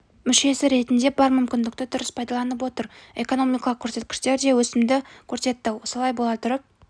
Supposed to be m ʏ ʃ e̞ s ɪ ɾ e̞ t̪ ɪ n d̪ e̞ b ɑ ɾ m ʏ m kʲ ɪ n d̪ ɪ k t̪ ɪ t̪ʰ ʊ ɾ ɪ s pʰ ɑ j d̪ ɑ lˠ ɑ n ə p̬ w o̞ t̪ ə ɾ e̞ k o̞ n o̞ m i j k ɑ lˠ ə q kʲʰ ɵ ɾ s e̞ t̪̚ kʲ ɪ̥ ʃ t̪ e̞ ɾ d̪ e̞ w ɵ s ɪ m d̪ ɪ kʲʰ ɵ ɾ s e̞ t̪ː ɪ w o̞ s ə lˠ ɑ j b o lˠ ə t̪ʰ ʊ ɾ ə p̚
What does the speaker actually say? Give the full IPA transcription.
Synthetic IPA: m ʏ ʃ e̞ s ɪ ɾ e̞ t̪ ɪ n d̪ e̞ b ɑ ɾ m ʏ m kʲ ɪ n d̪ ɪ k t̪ ɪ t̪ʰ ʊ ɾ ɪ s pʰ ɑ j d̪ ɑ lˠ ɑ n ə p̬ w o̞ t̪ ə ɾ e̞ k o̞ n o̞ m i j k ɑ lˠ ə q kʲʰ ɵ ɾ s e̞ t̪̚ kʲ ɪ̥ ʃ t̪ e̞ ɾ d̪ e̞ w ɵ s ɪ m d̪ ɪ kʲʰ ɵ ɾ s e̞ t̪ː ɪ w o̞ s ə lˠ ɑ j b o lˠ ɑ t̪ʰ ʊ ɾ ə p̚